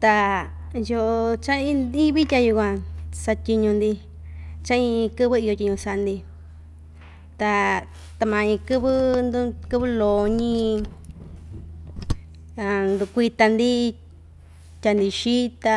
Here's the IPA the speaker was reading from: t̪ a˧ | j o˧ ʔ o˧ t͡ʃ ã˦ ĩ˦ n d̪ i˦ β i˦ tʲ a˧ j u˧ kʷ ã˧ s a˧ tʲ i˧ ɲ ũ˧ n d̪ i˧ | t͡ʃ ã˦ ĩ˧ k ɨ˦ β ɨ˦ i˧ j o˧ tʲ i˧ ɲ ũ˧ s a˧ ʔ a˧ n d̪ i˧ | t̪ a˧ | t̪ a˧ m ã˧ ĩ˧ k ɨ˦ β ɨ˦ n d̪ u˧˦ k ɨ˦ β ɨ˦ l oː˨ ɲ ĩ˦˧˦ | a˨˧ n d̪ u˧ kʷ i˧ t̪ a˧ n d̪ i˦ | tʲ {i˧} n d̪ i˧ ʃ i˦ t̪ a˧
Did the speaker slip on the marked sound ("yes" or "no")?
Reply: yes